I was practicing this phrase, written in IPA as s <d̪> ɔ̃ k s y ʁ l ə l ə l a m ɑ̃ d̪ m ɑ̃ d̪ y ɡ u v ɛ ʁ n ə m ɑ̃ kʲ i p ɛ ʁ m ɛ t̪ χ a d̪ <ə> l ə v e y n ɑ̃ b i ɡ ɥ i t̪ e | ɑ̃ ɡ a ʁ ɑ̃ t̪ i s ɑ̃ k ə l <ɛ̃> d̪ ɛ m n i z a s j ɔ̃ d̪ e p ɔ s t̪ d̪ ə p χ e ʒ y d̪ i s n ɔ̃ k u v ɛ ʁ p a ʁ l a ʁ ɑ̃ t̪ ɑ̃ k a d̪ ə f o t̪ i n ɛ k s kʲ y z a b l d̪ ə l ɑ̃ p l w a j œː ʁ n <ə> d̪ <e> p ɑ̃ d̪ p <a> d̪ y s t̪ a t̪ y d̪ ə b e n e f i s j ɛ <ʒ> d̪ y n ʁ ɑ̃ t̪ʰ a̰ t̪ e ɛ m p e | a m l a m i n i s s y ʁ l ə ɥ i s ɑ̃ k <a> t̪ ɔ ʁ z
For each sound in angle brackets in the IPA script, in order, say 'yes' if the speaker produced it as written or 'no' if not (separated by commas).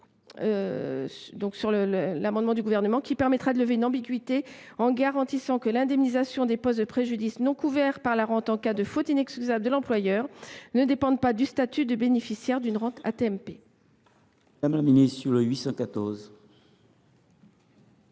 yes, yes, yes, yes, yes, yes, no, yes